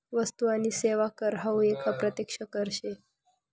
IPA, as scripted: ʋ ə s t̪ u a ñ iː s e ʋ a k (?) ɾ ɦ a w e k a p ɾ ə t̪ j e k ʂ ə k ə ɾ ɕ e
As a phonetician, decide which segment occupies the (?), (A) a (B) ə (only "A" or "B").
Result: B